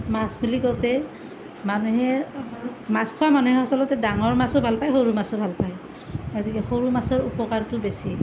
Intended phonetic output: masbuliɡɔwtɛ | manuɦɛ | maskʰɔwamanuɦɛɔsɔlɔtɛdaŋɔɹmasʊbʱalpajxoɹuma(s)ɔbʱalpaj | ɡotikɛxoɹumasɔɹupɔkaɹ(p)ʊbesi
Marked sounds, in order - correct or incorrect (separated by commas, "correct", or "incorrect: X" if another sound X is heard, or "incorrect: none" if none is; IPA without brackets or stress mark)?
correct, incorrect: t